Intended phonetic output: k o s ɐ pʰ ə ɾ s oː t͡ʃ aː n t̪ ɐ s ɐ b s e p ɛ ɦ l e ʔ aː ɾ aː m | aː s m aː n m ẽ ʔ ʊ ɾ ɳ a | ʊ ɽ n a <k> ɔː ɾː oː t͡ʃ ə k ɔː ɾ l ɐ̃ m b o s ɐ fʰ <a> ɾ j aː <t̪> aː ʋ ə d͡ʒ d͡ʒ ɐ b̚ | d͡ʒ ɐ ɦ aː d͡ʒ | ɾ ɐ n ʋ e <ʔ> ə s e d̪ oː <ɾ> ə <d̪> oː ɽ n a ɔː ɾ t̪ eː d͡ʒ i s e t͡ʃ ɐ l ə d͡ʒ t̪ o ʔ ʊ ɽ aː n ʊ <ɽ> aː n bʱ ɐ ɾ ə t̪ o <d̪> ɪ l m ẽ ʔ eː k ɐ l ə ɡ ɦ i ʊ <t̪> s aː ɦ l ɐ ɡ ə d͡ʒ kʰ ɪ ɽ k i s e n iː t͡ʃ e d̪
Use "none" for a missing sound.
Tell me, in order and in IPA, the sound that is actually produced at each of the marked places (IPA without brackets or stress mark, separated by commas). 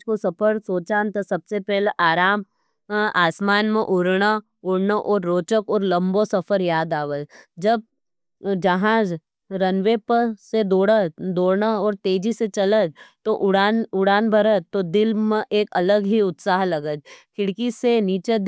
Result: ʔ, ə, d̪, p, ɽ, d̪, ɽ, d̪, t̪